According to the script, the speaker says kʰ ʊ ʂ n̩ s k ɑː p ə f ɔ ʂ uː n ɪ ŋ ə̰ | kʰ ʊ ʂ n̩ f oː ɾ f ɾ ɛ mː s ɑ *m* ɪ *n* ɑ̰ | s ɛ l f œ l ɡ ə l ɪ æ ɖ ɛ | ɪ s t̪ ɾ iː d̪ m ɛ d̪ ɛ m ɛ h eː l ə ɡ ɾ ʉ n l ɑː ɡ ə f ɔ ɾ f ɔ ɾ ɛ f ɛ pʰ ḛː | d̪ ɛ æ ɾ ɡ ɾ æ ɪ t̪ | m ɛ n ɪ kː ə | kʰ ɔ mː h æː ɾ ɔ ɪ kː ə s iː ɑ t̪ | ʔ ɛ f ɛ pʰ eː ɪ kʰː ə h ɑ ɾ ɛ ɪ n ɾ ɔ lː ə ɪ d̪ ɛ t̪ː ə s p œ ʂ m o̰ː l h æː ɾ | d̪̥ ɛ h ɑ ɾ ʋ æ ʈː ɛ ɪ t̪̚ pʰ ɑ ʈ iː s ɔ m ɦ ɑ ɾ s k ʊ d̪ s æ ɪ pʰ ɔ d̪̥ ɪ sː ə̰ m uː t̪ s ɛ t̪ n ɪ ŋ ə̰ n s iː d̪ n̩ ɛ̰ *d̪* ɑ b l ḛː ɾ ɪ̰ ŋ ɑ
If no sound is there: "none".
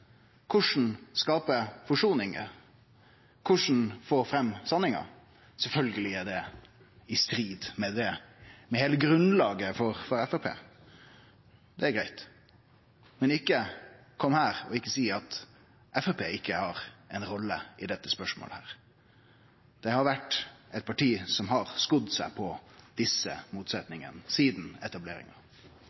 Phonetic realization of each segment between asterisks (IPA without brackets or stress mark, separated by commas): n, ŋ, t̪